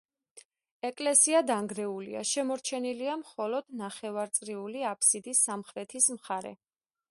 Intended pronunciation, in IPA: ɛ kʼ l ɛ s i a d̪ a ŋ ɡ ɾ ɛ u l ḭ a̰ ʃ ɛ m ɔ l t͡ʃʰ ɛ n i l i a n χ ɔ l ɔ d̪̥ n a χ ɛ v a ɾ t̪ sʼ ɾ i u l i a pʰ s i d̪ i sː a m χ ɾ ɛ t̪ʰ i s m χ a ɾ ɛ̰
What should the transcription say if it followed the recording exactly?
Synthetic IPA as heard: ɛ kʼ l ɛ s i a d̪ a ŋ ɡ ɾ ɛ u l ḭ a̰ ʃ ɛ m ɔ ɾ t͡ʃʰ ɛ n i l i a m χ ɔ l ɔ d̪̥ n a χ ɛ v a ɾ t̪ sʼ ɾ i u l i a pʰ s i d̪ i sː a m χ ɾ ɛ t̪ʰ i s m χ a ɾ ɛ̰